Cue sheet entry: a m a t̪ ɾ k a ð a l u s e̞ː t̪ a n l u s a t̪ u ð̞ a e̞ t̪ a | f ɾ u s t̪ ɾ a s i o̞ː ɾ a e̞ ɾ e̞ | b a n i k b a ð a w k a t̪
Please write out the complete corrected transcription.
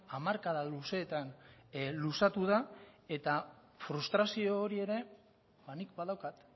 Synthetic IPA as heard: a m a ɾ k a ð a l u s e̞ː t̪ a n l u s a t̪ u ð̞ a e̞ t̪ a | f ɾ u s t̪ ɾ a s i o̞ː ɾ i e̞ ɾ e̞ | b a n i k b a ð a w k a t̪